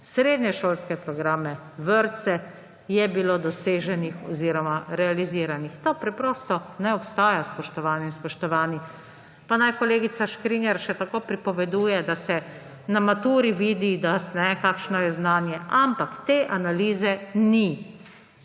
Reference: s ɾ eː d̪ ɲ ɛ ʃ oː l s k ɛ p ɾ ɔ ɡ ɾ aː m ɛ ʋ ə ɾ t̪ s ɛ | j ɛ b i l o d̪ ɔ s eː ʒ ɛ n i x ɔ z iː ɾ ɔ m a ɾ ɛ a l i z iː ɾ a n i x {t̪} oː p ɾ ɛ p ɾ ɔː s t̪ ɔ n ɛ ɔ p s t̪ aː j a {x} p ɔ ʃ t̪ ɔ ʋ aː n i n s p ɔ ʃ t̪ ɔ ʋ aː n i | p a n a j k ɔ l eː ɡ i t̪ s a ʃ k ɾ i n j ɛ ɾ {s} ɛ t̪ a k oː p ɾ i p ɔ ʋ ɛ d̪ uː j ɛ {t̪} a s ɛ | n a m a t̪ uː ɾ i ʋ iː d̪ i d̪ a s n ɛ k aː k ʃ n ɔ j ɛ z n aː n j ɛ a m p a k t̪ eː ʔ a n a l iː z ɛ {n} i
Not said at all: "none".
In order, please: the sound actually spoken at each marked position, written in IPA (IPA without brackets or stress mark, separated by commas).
t̪, s, ʃ, d̪, n